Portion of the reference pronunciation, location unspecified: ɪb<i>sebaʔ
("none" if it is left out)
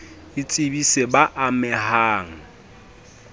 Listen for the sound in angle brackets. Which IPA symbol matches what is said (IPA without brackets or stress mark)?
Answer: i